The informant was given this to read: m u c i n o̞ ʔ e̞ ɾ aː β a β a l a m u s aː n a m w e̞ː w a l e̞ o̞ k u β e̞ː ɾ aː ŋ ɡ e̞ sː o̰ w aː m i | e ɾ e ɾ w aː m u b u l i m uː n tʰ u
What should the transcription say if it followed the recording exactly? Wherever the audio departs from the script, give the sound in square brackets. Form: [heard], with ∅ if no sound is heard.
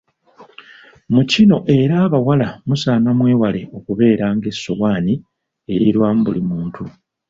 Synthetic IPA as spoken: m u c i n o̞ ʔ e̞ ɾ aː β a [w] a l a m u s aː n a m w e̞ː w a l e̞ o̞ k u β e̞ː ɾ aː ŋ ɡ e̞ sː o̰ w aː [n] i | e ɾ [i] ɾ w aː m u b u l i m uː n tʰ u